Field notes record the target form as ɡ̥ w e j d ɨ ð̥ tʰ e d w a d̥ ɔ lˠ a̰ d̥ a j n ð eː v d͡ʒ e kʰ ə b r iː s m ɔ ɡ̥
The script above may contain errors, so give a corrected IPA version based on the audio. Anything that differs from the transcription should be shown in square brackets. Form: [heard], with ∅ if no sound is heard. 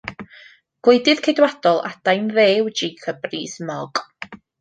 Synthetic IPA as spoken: ɡ̥ w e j d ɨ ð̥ [kʰ] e d w a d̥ ɔ lˠ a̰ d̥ a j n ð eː [w] d͡ʒ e kʰ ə b r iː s m ɔ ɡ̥